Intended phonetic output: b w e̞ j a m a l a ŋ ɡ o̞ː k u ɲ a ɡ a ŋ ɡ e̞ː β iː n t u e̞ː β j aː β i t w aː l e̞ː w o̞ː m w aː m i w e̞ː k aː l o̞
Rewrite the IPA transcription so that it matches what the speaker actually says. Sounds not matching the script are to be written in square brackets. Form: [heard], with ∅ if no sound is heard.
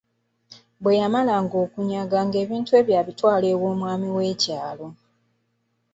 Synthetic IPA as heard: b w e̞ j a m a l a ŋ ɡ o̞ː k u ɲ a ɡ a ŋ ɡ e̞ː β iː n t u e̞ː β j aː β i t w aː l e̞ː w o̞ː m w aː m i w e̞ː [c] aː l o̞